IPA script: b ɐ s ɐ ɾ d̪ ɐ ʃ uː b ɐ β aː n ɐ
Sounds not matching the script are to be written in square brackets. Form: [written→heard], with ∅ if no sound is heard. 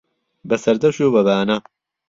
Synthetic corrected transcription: b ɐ s ɐ ɾ d̪ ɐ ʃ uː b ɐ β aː n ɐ